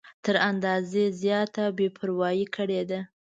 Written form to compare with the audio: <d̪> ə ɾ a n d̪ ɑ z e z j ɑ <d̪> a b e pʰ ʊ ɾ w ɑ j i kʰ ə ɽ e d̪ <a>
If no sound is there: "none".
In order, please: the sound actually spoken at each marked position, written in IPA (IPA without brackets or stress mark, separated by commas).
t̪, t̪, a